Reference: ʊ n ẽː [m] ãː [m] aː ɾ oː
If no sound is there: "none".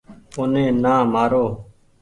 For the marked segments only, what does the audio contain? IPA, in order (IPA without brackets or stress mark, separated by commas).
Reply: n, m